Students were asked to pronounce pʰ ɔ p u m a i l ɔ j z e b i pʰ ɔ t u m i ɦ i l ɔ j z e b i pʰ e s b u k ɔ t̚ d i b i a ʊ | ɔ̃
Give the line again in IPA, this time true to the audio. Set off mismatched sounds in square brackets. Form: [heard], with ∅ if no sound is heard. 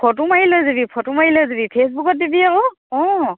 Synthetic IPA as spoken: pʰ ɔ [t] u m a i l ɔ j z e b i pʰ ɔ t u m [a] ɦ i l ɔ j z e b i pʰ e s b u k ɔ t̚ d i b i a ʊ | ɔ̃